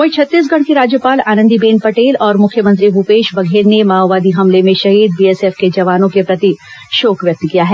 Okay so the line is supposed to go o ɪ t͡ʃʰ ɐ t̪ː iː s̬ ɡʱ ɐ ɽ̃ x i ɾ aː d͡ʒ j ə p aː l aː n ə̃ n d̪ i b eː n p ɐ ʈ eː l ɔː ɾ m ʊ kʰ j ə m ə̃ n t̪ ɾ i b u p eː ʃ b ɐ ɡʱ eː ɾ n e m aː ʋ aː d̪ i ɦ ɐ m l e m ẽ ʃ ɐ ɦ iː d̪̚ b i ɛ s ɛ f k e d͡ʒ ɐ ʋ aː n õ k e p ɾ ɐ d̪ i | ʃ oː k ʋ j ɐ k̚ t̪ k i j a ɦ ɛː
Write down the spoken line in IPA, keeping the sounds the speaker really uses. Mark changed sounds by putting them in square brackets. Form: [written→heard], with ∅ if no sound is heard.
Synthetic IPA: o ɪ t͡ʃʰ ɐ t̪ː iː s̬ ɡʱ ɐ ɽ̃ [x→k] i ɾ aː d͡ʒ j ə p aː l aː n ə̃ n d̪ i b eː n p ɐ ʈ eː l ɔː ɾ m ʊ kʰ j ə m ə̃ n t̪ ɾ i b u p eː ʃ b ɐ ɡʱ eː ɾ n e m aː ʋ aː d̪ i ɦ ɐ m l e m ẽ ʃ ɐ ɦ iː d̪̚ b i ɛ s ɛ f k e d͡ʒ ɐ ʋ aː n õ k e p ɾ ɐ [d̪→t̪] i | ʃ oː k ʋ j ɐ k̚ t̪ k i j a ɦ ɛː